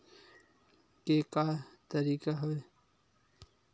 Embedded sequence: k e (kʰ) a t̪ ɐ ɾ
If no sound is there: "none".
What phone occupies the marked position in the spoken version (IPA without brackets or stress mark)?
k